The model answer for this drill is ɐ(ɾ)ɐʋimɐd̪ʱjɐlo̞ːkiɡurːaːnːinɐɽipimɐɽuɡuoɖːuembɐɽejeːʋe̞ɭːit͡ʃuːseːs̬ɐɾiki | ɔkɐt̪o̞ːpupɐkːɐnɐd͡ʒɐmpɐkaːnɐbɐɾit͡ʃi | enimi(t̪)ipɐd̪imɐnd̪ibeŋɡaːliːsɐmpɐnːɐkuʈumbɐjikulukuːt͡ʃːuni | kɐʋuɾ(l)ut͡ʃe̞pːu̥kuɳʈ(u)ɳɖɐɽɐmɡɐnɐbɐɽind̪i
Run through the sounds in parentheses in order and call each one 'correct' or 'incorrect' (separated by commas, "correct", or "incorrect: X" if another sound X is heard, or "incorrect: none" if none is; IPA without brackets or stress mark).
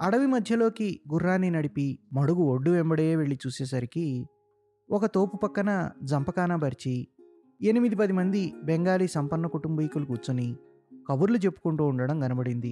incorrect: ɽ, incorrect: d̪, correct, incorrect: uː